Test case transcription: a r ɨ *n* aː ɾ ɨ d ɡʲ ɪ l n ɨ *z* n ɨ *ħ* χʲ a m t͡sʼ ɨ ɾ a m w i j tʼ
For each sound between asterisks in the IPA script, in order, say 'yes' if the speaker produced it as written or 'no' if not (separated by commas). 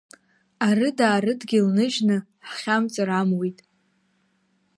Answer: no, no, yes